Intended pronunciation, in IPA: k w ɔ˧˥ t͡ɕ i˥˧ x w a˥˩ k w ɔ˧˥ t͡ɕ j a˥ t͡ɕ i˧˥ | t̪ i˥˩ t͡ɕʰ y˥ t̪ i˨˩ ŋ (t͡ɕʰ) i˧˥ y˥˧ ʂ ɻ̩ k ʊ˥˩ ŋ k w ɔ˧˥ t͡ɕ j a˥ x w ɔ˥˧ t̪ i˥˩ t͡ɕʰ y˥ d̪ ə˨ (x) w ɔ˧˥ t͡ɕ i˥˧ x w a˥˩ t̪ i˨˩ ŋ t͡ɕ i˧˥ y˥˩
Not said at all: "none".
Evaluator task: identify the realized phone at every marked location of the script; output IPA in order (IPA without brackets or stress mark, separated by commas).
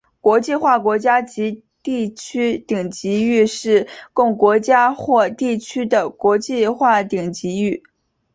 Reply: t͡ɕ, k